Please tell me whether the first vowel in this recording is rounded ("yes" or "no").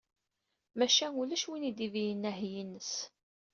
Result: no